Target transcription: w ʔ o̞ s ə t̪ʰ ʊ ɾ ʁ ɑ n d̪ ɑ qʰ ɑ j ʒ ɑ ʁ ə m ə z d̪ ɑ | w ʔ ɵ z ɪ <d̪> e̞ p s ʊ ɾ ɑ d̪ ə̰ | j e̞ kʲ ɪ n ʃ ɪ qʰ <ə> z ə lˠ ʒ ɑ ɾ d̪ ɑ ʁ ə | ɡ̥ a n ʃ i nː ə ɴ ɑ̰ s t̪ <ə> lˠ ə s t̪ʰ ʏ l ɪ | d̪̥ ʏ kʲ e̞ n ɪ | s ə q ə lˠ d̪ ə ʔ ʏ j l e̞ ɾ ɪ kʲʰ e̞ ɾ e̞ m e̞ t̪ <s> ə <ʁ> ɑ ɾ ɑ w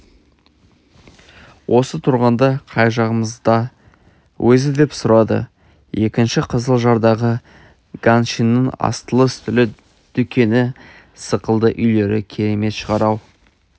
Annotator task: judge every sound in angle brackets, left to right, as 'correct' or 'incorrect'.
correct, correct, correct, incorrect: ʃ, correct

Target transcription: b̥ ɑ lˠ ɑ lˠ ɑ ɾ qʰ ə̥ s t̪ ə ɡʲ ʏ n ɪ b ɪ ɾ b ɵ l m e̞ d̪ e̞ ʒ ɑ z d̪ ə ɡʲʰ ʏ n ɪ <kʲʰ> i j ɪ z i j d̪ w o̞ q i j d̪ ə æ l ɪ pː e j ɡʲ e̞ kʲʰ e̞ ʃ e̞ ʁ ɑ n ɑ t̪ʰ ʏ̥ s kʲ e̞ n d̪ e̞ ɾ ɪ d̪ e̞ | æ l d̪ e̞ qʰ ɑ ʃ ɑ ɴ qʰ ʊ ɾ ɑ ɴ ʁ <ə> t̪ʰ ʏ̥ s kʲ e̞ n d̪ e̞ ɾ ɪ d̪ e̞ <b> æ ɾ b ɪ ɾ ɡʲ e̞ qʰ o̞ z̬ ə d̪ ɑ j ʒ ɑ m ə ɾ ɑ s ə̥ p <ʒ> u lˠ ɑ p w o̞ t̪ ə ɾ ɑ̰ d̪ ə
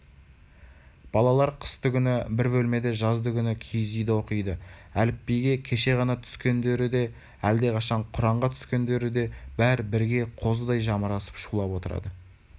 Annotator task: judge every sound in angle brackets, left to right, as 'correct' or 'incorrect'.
correct, incorrect: ɑ, correct, incorrect: ʃ

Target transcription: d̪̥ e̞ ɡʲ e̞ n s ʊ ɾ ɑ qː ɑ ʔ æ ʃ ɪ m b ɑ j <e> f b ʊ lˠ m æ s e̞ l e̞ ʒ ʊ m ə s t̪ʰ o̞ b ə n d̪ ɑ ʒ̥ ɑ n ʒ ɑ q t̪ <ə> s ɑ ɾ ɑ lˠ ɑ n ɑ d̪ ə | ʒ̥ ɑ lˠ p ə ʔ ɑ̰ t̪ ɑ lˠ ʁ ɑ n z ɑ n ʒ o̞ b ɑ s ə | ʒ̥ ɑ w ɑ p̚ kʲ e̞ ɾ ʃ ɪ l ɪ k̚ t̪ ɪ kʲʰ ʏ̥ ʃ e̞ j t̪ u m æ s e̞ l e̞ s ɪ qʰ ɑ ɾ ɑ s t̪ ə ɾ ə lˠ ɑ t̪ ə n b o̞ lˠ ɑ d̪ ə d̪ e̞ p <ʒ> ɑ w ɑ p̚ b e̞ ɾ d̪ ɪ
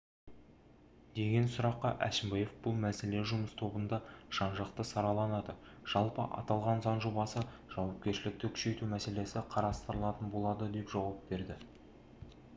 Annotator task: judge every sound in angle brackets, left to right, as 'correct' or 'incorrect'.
correct, correct, correct

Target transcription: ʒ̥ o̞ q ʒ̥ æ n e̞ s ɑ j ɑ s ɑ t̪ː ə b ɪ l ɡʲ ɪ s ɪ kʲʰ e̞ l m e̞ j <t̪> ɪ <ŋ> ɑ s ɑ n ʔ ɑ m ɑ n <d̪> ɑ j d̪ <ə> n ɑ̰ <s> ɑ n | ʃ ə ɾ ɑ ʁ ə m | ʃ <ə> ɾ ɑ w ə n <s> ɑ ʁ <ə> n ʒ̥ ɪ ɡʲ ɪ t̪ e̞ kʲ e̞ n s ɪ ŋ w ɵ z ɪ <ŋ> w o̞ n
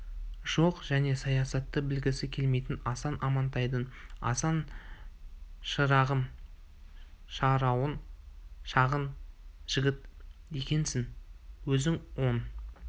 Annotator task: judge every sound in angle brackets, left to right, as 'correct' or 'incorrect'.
correct, incorrect: n, incorrect: t̪, correct, correct, incorrect: ɑ, incorrect: ʃ, correct, correct

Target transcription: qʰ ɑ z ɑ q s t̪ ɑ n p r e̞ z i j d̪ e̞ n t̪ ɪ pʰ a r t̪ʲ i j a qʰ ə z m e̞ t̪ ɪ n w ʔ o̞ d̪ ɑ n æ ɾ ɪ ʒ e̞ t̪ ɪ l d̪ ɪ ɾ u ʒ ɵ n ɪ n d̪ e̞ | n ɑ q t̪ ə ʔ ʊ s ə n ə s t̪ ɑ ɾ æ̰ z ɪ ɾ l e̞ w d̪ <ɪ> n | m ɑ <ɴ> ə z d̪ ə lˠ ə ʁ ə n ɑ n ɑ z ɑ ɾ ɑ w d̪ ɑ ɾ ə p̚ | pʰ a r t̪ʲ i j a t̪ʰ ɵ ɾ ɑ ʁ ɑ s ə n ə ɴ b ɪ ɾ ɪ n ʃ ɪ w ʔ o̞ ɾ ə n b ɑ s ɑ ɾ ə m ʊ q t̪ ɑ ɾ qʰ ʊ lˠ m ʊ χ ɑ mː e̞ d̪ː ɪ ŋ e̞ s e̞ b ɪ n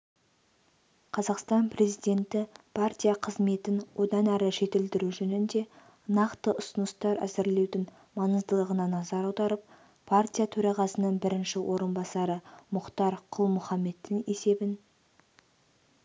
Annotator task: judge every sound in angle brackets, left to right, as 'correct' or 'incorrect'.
correct, incorrect: n

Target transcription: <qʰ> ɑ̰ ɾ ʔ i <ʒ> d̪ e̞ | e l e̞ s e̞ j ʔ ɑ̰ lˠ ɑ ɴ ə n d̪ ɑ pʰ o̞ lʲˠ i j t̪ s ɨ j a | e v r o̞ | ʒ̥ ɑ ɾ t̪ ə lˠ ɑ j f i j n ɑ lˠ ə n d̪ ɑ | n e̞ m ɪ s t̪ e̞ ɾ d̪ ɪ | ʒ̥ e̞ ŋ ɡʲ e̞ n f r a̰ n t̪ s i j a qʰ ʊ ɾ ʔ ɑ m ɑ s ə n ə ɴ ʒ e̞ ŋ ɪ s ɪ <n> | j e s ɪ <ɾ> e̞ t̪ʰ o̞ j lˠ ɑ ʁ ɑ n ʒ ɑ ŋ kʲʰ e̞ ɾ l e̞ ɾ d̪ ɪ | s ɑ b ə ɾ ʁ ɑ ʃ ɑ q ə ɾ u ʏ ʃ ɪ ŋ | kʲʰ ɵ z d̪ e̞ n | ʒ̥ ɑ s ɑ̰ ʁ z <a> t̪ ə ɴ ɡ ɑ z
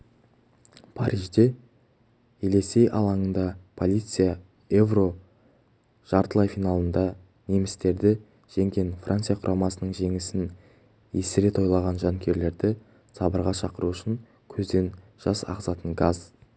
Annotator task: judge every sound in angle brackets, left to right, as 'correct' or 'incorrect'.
incorrect: pʰ, correct, correct, correct, incorrect: ɑ

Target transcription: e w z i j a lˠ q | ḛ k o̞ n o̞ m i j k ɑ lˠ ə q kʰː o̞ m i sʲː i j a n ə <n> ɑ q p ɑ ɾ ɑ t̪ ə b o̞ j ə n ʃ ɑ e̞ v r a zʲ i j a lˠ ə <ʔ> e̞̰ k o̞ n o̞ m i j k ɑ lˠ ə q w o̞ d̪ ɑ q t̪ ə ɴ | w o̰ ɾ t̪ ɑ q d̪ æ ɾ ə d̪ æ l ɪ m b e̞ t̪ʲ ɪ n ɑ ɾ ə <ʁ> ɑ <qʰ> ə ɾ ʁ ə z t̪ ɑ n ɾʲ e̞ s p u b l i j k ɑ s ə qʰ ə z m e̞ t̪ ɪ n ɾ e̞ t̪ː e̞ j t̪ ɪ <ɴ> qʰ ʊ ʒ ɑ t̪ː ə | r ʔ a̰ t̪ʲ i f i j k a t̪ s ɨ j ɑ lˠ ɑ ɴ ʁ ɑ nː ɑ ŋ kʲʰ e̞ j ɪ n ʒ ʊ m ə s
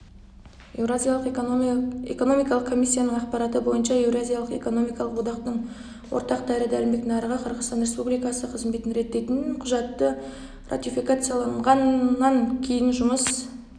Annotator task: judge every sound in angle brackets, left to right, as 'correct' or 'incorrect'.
incorrect: ɴ, incorrect: q, correct, correct, incorrect: n

